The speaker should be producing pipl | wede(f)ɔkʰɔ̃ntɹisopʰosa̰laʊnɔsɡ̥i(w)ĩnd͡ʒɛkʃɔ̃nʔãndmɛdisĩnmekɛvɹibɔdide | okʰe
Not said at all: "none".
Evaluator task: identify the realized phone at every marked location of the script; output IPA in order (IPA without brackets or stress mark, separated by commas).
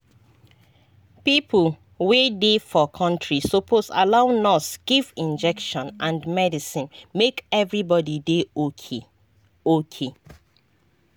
f, v